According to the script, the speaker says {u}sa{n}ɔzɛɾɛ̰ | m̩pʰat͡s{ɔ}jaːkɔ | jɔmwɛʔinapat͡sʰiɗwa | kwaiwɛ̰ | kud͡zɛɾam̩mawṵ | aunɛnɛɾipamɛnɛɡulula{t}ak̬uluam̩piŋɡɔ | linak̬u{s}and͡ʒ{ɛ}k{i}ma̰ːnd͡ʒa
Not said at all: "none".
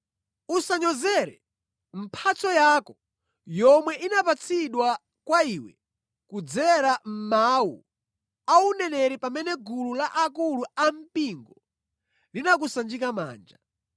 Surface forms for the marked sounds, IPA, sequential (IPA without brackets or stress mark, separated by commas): u, ɲ, ɔ, ʔ, s, i, a